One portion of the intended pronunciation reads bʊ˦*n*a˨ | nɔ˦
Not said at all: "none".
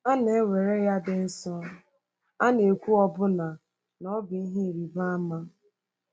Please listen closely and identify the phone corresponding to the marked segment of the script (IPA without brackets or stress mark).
n